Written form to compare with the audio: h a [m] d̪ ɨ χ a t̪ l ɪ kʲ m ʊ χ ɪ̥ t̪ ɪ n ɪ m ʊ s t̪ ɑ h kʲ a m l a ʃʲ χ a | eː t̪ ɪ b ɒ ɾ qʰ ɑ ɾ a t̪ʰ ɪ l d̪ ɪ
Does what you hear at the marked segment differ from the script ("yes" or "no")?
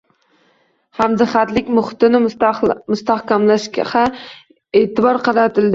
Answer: no